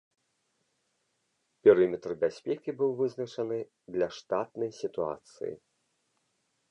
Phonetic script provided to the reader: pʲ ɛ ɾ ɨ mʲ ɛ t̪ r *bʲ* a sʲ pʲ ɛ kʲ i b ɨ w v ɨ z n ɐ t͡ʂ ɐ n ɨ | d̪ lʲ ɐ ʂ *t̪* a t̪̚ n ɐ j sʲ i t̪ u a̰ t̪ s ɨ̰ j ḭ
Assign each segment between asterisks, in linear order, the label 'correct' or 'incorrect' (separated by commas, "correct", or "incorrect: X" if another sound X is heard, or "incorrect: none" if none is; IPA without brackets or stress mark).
correct, correct